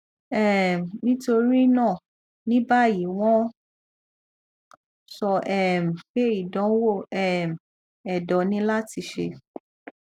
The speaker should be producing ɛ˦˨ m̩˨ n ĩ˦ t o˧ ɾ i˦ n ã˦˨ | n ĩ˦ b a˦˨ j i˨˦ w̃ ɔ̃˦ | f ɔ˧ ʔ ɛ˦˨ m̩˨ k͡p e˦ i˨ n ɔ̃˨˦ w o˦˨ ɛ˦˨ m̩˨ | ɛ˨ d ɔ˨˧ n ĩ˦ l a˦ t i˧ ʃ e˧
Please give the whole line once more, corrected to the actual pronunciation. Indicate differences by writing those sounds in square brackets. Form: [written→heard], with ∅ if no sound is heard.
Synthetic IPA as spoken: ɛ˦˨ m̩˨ n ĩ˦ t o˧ ɾ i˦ n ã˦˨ | n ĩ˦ b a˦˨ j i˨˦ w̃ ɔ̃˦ | [f→s] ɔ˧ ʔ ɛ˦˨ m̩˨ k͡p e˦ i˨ [n→d] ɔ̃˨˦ w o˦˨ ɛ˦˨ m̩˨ | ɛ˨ d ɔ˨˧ n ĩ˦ l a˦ t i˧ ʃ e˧